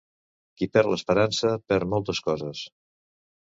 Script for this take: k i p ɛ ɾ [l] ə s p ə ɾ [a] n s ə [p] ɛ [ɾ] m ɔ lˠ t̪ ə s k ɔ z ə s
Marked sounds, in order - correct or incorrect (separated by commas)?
correct, correct, correct, correct